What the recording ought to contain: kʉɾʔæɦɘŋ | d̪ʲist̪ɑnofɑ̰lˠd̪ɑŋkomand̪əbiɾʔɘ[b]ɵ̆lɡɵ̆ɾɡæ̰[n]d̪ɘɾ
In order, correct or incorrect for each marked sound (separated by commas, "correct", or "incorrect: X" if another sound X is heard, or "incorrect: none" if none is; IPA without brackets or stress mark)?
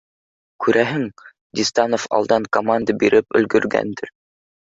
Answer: incorrect: p, correct